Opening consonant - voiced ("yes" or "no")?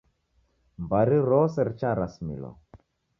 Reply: yes